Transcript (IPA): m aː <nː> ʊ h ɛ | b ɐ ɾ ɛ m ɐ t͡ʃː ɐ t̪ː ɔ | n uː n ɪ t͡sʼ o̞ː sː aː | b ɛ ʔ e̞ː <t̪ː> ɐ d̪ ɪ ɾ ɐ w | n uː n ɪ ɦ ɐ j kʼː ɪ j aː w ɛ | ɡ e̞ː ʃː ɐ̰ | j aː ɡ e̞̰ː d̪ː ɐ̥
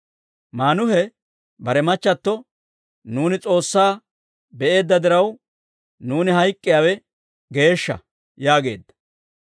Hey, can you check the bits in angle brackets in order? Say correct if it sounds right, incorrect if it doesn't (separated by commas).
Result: incorrect, incorrect